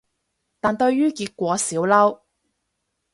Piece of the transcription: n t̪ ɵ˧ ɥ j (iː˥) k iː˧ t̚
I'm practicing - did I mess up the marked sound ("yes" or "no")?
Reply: yes